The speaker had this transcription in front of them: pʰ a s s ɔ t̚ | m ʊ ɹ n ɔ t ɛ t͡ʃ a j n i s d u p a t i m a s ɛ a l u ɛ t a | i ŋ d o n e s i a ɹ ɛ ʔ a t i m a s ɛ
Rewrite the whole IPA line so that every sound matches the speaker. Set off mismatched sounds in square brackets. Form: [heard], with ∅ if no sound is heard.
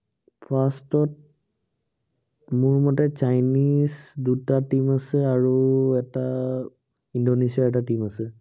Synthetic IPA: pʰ a s [t] ɔ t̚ | m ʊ ɹ [m] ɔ t ɛ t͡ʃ a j n i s d u [t] a t i m a s ɛ a [ɹ] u ɛ t a | i [n] d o n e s i a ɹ ɛ [t] a t i m a s ɛ